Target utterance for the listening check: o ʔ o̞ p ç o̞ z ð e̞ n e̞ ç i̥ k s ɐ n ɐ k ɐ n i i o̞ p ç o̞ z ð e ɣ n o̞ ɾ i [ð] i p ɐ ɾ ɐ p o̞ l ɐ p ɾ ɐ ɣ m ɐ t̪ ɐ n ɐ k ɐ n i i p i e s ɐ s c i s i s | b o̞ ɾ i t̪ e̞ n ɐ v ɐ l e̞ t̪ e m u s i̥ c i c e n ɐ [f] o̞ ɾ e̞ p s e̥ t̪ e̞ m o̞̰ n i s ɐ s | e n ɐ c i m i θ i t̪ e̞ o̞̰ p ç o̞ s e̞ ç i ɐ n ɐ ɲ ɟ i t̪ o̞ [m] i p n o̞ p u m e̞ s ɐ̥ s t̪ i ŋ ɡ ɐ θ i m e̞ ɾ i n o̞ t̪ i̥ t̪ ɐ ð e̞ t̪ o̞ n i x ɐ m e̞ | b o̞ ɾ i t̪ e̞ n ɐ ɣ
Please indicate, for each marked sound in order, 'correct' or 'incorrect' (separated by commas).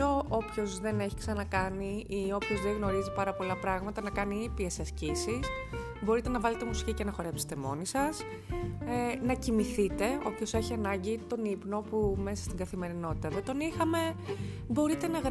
incorrect, incorrect, incorrect